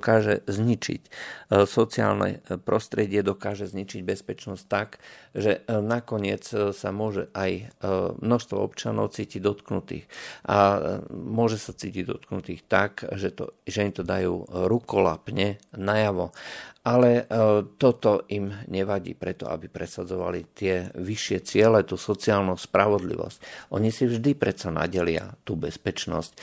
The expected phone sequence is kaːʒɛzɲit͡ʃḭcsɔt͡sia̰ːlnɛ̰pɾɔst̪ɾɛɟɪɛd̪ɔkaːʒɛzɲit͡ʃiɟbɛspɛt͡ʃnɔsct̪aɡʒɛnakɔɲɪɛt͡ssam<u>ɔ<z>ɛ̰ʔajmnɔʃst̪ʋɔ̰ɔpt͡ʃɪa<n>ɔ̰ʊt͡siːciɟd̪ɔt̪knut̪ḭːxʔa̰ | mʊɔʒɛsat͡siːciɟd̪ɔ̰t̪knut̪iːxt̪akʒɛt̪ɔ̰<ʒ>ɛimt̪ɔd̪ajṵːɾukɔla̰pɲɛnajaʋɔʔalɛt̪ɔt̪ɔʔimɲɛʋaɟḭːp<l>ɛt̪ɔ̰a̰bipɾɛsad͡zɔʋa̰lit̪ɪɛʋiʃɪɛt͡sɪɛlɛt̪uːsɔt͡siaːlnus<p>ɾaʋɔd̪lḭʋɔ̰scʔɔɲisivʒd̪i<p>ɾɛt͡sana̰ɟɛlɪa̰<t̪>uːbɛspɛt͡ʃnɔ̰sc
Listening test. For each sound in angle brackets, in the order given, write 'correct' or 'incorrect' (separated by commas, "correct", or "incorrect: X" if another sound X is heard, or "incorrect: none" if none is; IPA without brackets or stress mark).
incorrect: ʊ, incorrect: ʒ, correct, correct, incorrect: ɾ, correct, correct, correct